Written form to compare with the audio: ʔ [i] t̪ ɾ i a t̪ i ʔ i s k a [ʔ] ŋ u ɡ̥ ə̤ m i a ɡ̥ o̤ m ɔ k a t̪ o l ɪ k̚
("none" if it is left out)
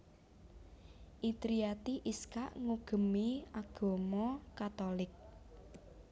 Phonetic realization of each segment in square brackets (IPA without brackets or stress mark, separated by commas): i, ʔ